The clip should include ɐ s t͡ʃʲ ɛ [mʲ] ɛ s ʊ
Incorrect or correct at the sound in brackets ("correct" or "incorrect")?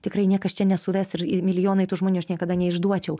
incorrect